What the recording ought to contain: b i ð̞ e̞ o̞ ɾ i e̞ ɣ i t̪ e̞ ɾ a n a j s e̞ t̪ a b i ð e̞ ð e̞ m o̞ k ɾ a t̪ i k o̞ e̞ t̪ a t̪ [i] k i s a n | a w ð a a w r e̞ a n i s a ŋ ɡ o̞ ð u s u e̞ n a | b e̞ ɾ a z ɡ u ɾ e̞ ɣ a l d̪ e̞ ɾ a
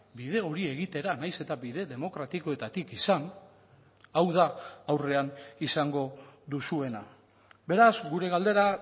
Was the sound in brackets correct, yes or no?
yes